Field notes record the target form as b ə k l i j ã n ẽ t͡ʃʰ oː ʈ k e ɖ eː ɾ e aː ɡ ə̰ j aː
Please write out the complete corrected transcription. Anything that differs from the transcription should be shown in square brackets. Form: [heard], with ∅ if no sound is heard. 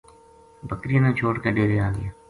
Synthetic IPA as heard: b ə k [ɾ] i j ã n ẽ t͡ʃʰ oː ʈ k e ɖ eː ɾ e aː ɡ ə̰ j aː